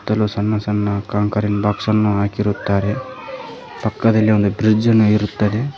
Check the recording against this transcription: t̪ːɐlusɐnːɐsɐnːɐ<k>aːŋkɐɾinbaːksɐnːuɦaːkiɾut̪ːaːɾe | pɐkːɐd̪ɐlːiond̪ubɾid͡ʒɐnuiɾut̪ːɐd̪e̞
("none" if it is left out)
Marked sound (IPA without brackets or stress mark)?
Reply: k